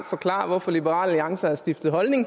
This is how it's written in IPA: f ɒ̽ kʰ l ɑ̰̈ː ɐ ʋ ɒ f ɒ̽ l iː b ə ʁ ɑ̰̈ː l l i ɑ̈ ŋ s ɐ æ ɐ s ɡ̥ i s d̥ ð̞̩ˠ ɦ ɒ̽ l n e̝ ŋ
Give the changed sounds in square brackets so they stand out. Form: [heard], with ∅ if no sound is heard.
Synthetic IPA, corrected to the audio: f ɒ̽ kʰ l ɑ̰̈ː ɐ ʋ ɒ f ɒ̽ l [i] b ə ʁ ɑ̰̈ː l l i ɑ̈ ŋ s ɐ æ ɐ s [d̥] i [f] d̥ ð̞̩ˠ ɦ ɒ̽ l n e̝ ŋ